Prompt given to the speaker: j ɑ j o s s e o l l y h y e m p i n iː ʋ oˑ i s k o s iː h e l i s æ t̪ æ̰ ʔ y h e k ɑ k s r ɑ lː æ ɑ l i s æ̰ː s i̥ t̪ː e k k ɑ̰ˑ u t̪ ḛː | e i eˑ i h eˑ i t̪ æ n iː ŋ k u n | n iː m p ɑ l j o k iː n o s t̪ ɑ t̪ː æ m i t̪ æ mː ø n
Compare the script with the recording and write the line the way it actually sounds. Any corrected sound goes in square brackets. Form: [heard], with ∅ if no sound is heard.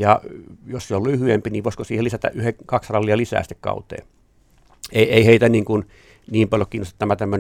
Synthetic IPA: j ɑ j o s s e o l l y h y e m p i n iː ʋ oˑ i s k o s iː h e l i s æ t̪ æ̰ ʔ y h e k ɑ k s r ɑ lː [i] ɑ l i s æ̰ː s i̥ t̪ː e k k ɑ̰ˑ u t̪ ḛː | e i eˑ i h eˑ i t̪ æ n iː ŋ k u n | n iː m p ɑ l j o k iː n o s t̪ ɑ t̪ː æ m [æ] t̪ æ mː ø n